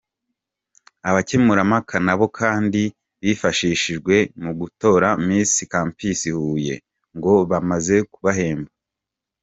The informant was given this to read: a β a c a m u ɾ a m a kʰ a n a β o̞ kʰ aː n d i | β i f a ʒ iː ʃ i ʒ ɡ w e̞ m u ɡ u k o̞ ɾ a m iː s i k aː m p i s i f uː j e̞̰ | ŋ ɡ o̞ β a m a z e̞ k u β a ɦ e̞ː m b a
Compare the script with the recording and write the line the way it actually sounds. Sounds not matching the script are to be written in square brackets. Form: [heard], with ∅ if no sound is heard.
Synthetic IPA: a β a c [e] m u ɾ a m a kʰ a n a β o̞ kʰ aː n d i | β i f a [ʃ] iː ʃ i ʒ ɡ w e̞ m u ɡ u [t] o̞ ɾ a m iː s i k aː m p i s i [h] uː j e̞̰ | ŋ ɡ o̞ β a m a z e̞ k u β a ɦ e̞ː m b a